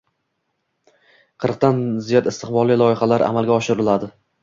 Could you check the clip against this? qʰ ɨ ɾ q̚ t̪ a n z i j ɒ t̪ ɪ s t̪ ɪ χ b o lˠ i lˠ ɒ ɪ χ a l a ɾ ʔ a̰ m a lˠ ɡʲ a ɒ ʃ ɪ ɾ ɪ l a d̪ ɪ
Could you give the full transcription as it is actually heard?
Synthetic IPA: qʰ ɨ ɾ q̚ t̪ a n z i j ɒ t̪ ɪ s t̪ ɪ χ b ɒ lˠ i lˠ ɒ ɪ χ a l a ɾ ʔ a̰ m a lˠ ɡʲ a ɒ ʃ ɪ ɾ ɪ l a d̪ ɪ

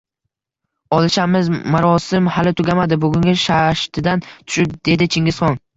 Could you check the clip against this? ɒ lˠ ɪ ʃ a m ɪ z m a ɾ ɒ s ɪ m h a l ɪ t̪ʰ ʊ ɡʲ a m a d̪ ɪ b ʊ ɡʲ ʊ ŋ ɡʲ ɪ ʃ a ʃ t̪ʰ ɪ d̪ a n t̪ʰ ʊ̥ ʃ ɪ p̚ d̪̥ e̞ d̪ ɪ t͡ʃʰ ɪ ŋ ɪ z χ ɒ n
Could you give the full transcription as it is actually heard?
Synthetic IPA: ɒ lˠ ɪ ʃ a m ɪ z m a ɾ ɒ s ɪ m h a l ɪ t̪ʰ ʊ ɡʲ a m a d̪ ɪ b ʊ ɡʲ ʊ ŋ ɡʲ ɪ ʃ a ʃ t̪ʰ ɪ d̪ a n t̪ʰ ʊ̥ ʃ ɪ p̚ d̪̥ e̞ d̪ ɪ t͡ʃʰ ɪ ŋ ɪ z χ ɒ n

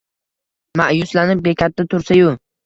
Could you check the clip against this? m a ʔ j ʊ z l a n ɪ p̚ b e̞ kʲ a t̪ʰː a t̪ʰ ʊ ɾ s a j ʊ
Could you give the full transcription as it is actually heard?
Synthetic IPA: m a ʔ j ʊ s l a n ɪ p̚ b e̞ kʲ a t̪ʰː a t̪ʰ ʊ ɾ s a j ʊ

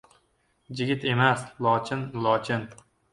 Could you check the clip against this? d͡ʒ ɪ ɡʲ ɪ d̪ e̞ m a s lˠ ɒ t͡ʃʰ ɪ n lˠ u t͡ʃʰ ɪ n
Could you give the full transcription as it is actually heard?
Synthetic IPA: d͡ʒ ɪ ɡʲ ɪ t̪ e̞ m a s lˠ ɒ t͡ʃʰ ɪ n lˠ ɒ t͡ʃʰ ɪ n

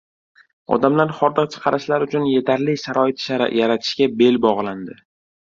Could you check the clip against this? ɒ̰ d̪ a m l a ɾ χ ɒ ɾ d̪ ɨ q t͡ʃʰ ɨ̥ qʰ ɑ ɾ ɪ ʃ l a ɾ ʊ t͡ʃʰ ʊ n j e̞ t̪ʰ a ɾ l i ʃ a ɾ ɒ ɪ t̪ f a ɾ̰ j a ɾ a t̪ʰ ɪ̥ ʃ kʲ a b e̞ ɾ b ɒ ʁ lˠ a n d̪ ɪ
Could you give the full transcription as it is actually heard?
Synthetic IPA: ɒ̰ d̪ a m l a ɾ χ ɒ ɾ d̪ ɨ q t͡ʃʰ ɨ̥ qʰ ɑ ɾ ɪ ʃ l a ɾ ʊ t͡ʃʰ ʊ n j e̞ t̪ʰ a ɾ l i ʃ a ɾ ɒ ɪ t̪ ʃ a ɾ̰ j a ɾ a t̪ʰ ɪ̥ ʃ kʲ a b e̞ l b ɒ ʁ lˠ a n d̪ ɪ

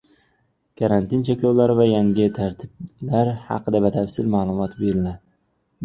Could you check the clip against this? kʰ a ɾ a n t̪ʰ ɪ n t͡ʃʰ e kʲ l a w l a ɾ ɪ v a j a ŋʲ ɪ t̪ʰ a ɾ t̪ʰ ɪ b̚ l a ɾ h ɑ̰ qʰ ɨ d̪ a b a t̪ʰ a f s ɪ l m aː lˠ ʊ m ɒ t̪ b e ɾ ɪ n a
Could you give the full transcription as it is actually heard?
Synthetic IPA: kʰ a ɾ a n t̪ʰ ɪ n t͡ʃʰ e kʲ l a w l a ɾ ɪ v a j a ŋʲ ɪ t̪ʰ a ɾ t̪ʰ ɪ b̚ l a ɾ h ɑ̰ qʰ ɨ d̪ a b a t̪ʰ a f s ɪ l m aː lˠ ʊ m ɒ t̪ b e ɾ ɪ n a

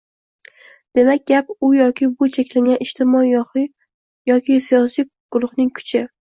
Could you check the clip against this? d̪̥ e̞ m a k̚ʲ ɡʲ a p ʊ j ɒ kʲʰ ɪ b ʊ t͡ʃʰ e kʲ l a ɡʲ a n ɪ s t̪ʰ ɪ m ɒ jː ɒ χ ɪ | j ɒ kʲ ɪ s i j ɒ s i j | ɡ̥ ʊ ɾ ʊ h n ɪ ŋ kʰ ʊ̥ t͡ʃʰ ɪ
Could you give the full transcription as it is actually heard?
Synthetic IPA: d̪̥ e̞ m a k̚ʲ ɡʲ a p ʊ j ɒ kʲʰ ɪ b ʊ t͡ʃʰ e kʲ l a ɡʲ a n ɪ ʃ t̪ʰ ɪ m ɒ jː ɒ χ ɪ | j ɒ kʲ ɪ s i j ɒ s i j | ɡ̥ ʊ ɾ ʊ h n ɪ ŋ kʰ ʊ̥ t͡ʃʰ ɪ

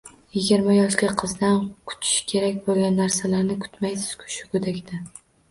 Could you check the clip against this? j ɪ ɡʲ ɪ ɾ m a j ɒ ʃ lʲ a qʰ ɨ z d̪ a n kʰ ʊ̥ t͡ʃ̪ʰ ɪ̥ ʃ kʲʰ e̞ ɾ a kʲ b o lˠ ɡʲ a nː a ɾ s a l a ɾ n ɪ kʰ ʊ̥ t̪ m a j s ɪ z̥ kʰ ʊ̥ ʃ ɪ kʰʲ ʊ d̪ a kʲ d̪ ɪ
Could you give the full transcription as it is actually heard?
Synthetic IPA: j ɪ ɡʲ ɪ ɾ m a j ɒ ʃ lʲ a qʰ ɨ z d̪ a n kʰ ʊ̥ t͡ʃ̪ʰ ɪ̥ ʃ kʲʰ e̞ ɾ a kʲ b o lˠ ɡʲ a nː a ɾ s a l a ɾ n ɪ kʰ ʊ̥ t̪ m a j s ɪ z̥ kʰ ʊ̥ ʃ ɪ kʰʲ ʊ d̪ a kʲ d̪ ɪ

